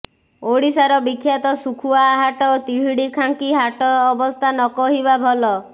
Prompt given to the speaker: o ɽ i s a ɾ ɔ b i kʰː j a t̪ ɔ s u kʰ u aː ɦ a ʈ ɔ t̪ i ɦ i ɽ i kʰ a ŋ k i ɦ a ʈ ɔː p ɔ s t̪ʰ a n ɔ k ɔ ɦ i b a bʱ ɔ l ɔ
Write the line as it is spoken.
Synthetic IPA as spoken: o ɽ i s a ɾ ɔ b i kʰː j a t̪ ɔ s u kʰ u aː ɦ a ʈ ɔ t̪ i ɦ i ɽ i kʰ a ŋ k i ɦ a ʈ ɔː b ɔ s t̪ʰ a n ɔ k ɔ ɦ i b a bʱ ɔ l ɔ